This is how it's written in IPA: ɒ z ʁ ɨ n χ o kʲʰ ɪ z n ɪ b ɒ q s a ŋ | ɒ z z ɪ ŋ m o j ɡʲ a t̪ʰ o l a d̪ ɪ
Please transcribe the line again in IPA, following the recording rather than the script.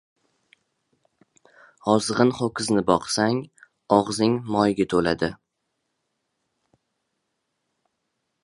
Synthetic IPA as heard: ɒ z ʁ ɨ n χ o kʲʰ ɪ z n ɪ b ɒ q s a ŋ | ɒ ʁ z ɪ ŋ m ɒ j ɡʲ a t̪ʰ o l a d̪ ɪ